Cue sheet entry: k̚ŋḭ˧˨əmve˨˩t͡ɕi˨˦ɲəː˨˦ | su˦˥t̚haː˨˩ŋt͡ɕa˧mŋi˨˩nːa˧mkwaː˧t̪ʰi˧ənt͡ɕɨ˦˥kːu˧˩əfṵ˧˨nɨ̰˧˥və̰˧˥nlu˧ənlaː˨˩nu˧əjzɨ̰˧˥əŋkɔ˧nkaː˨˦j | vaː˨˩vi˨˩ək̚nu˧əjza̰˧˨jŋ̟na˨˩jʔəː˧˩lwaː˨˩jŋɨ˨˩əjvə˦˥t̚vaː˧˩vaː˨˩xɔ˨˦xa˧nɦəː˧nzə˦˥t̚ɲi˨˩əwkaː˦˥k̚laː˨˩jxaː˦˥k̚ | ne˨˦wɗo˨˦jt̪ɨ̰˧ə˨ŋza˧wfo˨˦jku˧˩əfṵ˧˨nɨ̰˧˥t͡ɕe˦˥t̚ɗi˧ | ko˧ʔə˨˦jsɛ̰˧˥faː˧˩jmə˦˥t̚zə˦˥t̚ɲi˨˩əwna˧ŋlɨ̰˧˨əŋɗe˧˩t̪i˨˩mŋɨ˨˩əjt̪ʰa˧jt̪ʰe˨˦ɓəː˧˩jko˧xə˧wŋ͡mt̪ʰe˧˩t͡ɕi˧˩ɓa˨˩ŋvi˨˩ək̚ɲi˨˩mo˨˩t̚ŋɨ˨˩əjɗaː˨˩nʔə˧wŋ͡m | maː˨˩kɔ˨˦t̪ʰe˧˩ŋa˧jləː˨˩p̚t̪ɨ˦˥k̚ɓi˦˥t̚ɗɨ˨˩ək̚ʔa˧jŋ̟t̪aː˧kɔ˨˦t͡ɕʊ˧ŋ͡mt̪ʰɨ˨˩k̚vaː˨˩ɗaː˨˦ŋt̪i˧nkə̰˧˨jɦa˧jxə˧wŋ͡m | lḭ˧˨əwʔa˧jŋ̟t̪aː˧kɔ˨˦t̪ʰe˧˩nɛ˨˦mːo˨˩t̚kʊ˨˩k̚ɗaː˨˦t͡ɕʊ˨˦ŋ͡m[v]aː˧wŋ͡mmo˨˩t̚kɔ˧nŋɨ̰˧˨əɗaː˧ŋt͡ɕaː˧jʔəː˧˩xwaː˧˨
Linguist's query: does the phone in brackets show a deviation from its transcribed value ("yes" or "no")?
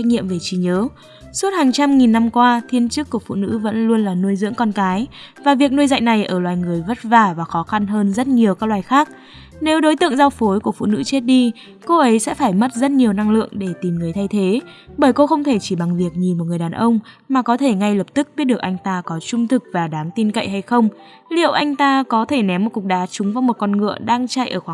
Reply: no